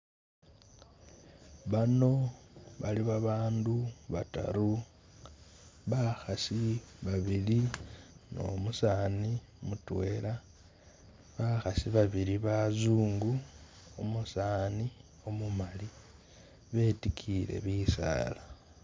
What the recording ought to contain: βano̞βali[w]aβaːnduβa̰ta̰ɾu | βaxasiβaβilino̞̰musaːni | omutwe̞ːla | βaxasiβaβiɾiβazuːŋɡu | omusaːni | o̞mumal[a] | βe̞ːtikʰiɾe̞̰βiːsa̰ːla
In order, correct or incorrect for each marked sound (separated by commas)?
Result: incorrect, incorrect